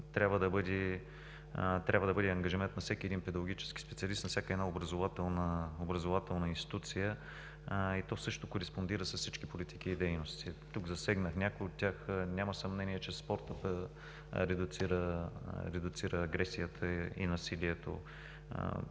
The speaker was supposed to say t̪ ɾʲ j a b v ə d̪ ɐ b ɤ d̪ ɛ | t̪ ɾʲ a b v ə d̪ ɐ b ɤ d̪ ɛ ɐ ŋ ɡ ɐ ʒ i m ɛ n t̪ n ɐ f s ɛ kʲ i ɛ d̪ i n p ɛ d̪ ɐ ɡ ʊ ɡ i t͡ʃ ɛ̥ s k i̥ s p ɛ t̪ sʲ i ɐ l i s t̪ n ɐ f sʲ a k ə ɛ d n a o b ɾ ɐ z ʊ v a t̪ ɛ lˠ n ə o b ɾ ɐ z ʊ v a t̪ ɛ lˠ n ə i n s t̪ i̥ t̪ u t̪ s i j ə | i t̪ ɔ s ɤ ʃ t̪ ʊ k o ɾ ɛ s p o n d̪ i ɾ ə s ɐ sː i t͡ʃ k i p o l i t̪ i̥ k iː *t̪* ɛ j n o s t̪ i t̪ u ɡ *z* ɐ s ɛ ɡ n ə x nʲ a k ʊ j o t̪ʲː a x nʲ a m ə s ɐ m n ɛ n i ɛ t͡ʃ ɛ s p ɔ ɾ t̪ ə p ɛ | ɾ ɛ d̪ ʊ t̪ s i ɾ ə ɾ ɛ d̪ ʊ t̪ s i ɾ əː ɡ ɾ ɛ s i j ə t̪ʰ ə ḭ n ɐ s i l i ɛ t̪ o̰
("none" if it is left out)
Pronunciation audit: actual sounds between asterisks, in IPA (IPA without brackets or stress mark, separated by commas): d̪, z